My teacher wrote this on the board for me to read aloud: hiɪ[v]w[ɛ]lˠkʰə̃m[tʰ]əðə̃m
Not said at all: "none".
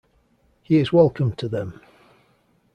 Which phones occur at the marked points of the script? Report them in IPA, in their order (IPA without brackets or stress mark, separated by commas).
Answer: z, ɛ, tʰ